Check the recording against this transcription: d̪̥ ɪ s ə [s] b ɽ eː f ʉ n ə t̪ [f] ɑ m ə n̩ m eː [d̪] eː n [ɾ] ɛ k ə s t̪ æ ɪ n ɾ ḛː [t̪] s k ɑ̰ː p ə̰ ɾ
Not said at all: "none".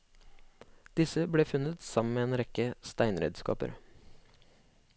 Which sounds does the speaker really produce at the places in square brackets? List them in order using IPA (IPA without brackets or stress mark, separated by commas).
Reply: none, s, none, ɾ, d̪